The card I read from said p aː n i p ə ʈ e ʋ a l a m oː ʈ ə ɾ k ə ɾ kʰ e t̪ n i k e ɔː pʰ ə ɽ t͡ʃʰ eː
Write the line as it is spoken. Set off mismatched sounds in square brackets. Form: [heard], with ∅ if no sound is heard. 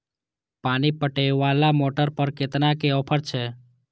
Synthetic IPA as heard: p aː n i p ə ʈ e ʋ a l a m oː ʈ ə ɾ [p] ə ɾ [k] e t̪ n [a] k e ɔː pʰ ə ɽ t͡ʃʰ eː